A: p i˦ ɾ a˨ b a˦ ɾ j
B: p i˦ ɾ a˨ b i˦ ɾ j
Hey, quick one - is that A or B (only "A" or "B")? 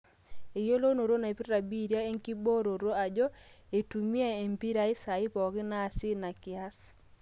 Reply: B